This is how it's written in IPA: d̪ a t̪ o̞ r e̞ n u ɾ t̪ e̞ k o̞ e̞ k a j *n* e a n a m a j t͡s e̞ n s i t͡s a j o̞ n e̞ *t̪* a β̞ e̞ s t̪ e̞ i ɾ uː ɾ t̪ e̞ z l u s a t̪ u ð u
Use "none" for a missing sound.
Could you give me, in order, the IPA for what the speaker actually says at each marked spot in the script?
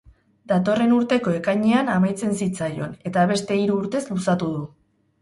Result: ɲ, t̪

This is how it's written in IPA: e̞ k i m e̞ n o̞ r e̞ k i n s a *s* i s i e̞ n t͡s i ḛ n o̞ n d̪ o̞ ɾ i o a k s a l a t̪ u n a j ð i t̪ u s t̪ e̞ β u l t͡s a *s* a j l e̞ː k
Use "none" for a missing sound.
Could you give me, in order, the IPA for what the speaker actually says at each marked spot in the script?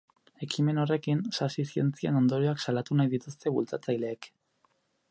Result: s, t͡s

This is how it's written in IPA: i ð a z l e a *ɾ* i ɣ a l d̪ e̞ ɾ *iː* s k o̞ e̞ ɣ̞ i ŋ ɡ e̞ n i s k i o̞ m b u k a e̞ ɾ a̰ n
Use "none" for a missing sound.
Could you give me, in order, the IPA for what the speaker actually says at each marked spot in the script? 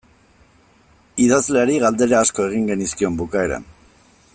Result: ɾ, aː

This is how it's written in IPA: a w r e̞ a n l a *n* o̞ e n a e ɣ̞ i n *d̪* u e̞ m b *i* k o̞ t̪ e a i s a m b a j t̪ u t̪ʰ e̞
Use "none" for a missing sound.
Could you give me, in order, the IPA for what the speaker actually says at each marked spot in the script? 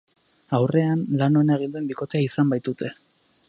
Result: n, d̪, i

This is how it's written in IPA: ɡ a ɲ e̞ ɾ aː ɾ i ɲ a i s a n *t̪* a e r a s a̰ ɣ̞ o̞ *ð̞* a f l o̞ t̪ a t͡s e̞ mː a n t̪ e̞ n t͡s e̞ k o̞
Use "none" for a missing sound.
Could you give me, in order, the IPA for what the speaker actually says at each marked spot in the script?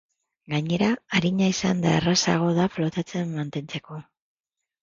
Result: d̪, ð̞

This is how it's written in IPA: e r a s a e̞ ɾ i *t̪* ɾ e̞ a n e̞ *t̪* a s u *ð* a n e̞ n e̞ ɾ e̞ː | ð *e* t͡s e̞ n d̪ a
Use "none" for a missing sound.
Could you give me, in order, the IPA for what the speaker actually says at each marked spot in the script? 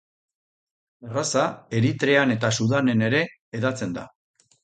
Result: t̪, t̪, ð, a

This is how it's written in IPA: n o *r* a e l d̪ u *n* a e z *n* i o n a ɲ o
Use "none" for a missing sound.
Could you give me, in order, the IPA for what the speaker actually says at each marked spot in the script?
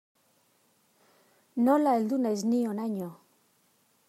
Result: l, n, n

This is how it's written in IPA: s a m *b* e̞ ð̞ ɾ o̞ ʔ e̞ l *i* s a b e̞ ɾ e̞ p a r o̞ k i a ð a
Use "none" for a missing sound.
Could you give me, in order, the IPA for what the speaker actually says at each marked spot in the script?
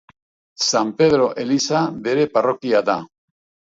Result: p, i

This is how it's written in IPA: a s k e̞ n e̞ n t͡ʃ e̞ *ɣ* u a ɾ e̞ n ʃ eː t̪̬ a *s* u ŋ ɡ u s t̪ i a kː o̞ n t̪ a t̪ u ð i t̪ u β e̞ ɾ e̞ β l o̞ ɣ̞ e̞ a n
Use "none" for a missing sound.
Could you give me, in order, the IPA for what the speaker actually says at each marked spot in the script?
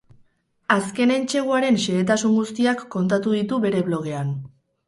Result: ɣ, s

